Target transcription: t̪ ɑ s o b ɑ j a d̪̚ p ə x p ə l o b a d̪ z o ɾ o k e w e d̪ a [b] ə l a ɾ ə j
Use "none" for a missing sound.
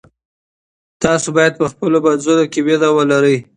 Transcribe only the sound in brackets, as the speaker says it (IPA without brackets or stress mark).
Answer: w